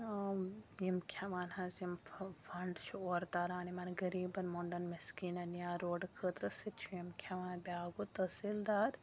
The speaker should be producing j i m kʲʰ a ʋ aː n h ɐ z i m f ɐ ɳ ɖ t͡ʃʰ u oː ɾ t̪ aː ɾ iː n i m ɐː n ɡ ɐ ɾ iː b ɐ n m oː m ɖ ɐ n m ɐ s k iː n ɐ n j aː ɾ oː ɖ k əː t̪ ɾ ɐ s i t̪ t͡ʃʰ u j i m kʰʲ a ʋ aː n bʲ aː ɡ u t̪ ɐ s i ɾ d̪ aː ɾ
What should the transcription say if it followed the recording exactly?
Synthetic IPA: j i m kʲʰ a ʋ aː n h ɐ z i m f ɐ ɳ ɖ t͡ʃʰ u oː ɾ t̪ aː ɾ aː n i m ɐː n ɡ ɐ ɾ iː b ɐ n m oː ɳ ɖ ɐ n m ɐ s k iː n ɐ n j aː ɾ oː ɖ kʰ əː t̪ ɾ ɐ s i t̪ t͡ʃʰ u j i m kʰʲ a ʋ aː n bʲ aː ɡ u t̪ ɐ s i l d̪ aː ɾ